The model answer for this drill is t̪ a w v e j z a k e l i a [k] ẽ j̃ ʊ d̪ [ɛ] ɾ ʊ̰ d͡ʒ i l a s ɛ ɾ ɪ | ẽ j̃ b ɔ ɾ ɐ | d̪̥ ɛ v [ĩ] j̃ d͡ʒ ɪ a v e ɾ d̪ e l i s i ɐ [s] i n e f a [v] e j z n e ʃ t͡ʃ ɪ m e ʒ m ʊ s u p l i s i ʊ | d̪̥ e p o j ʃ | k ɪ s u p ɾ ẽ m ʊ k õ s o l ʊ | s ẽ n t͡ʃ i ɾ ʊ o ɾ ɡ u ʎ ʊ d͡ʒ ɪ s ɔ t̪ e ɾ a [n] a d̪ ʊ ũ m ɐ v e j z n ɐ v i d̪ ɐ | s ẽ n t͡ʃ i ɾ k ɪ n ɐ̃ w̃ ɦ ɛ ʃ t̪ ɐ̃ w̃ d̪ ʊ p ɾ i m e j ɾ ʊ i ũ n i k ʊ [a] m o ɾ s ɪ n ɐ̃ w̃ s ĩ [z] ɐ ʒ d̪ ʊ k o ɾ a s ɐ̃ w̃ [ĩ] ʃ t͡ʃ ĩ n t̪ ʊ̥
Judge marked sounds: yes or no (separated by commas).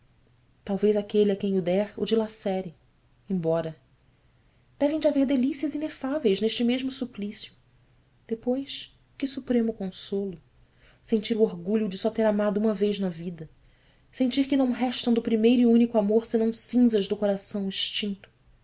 yes, yes, no, no, yes, no, yes, yes, no